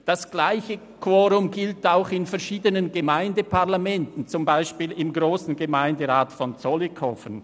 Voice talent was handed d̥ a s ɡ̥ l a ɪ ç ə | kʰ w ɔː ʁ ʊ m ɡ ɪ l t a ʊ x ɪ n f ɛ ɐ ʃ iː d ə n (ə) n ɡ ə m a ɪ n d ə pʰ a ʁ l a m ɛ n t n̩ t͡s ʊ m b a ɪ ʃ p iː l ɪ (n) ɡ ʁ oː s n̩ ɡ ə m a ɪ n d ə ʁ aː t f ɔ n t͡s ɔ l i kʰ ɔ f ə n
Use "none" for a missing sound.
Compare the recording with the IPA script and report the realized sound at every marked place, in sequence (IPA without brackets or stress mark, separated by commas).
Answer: ə, m